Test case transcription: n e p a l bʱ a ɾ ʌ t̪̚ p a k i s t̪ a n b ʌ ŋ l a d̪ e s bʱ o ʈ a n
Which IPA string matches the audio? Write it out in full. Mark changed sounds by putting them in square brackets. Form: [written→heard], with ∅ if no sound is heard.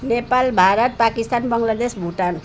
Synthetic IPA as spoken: n e p a l bʱ a ɾ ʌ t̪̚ p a k i s t̪ a n b ʌ ŋ l a d̪ e s bʱ [o→u] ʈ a n

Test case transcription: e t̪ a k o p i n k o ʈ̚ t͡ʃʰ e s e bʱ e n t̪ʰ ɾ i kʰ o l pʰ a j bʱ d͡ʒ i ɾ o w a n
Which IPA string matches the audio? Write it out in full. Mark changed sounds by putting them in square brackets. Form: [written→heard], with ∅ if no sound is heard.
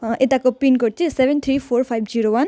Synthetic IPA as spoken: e t̪ a k o p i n k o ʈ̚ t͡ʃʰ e s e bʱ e n t̪ʰ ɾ i [kʰ→pʰ] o [l→ɾ] pʰ a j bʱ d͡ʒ i ɾ o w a n

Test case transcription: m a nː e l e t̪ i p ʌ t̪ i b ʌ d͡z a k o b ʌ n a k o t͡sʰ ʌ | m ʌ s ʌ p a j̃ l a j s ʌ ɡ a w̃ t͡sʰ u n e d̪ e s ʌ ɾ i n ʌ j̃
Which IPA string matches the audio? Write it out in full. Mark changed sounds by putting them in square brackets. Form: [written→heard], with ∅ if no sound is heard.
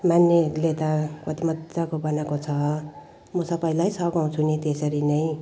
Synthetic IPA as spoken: m a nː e l e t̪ [i→a] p ʌ t̪ i [b→m] ʌ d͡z a k o b ʌ n a k o t͡sʰ ʌ | m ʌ s ʌ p a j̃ l a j s ʌ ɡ a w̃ t͡sʰ u n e [d̪→t̪] e s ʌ ɾ i n ʌ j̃

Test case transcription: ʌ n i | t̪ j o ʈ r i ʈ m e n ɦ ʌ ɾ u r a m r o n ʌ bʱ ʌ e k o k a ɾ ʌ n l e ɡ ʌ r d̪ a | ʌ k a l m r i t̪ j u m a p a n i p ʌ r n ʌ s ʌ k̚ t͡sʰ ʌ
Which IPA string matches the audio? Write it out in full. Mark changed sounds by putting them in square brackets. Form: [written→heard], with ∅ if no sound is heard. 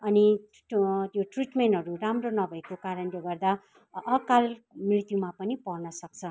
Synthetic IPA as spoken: ʌ n i | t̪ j o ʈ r i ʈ m e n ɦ ʌ ɾ u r a m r o n ʌ bʱ ʌ e k o k a ɾ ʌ n l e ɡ ʌ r d̪ a | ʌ k a l m r i t̪ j u m a p [a→ʌ] n i p ʌ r n ʌ s ʌ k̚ t͡sʰ ʌ

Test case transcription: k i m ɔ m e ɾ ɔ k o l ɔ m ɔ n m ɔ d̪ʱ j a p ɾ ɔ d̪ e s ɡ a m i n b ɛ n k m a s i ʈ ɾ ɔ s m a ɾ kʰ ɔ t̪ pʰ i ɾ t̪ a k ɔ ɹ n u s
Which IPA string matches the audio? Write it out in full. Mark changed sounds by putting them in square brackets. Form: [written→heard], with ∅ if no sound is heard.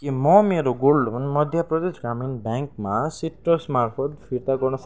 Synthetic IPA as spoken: k i m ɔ m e ɾ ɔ [k→ɡ] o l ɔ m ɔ n m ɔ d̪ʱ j a p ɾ ɔ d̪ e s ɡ a m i n b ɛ [n→ŋ] k m a s i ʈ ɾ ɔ s m a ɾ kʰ ɔ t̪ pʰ i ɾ t̪ a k ɔ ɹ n [u→ɔ] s

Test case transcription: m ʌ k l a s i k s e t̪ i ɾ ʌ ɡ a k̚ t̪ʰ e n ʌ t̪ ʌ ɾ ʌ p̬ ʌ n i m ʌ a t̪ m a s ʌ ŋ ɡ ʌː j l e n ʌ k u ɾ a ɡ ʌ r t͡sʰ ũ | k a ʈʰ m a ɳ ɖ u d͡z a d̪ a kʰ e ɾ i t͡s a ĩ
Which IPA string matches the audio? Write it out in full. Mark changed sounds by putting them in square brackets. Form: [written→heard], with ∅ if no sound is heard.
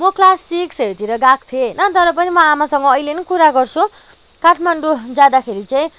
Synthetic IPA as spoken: m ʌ k l a s i k s e t̪ i ɾ ʌ ɡ a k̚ t̪ʰ e n ʌ t̪ ʌ ɾ ʌ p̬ ʌ n i m ʌ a [t̪→∅] m a s ʌ ŋ ɡ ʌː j l e n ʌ k u ɾ a ɡ ʌ r t͡sʰ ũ | k a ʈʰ m a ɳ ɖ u d͡z a d̪ a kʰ e ɾ i t͡s a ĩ

